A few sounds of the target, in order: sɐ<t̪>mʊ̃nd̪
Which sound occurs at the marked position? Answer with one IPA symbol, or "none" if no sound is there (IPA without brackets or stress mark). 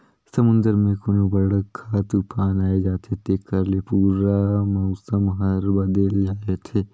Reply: none